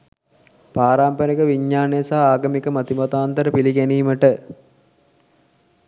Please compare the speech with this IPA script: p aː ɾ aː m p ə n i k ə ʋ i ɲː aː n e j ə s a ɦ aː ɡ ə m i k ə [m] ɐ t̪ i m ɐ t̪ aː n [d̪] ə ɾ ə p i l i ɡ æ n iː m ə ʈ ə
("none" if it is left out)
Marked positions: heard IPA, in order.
m, t̪

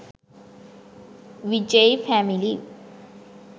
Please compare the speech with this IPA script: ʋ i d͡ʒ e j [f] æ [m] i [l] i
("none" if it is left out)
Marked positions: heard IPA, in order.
f, m, l

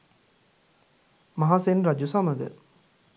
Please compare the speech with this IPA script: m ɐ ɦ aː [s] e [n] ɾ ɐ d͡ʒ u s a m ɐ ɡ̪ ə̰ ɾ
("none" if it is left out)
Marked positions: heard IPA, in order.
s, n

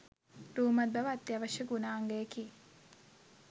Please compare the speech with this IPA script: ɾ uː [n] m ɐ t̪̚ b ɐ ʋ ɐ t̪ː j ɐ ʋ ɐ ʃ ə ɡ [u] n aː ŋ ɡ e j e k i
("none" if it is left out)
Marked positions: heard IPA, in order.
none, u

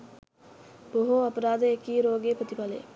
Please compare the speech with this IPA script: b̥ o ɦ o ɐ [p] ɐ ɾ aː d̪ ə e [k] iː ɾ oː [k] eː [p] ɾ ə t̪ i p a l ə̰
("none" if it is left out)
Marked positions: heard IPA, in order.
p, k, ɡ, p

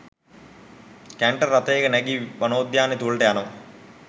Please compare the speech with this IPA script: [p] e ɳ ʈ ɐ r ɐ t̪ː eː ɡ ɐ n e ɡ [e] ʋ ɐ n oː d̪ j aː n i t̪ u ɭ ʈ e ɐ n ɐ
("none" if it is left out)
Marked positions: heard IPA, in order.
k, i

